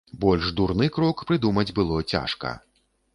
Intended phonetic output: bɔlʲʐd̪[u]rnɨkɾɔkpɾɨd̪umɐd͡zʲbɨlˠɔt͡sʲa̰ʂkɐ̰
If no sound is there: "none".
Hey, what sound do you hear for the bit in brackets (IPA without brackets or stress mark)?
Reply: u